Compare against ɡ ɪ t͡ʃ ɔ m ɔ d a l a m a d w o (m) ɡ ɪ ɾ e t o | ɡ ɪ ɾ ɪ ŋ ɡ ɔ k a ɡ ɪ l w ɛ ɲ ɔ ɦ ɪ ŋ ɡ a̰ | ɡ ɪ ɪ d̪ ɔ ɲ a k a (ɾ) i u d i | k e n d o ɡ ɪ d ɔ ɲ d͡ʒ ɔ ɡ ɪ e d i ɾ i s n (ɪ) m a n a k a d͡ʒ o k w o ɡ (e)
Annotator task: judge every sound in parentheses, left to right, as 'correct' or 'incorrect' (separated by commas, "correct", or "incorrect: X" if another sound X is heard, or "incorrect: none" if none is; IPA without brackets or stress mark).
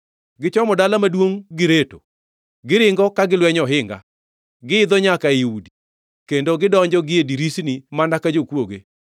incorrect: ŋ, incorrect: none, incorrect: i, correct